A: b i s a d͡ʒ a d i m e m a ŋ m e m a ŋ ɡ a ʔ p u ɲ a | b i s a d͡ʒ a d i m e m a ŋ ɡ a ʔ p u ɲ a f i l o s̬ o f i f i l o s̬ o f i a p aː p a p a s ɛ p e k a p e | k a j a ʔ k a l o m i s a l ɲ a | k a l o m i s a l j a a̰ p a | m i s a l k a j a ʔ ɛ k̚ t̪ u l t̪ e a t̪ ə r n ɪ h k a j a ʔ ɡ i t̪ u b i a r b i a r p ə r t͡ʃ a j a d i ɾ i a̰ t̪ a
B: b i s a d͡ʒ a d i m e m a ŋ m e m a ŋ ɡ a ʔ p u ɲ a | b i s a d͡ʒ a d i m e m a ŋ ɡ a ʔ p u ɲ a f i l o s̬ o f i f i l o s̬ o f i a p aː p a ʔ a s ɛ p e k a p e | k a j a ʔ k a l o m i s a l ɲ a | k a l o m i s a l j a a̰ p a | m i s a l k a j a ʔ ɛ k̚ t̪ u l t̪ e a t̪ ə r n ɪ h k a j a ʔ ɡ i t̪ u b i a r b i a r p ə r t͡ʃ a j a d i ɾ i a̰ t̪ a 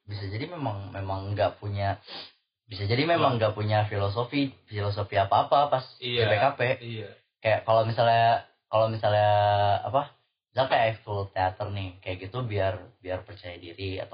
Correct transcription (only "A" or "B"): A